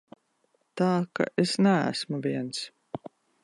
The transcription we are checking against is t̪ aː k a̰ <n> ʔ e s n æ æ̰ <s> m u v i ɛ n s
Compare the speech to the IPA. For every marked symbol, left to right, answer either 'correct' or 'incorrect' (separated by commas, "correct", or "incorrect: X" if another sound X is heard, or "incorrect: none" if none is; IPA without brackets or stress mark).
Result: incorrect: none, correct